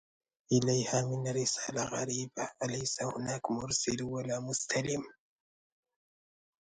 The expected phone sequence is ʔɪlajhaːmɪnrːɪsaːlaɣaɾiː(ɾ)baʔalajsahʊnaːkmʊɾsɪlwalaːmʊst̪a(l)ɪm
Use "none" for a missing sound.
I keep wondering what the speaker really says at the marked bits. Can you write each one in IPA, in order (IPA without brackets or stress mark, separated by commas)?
none, l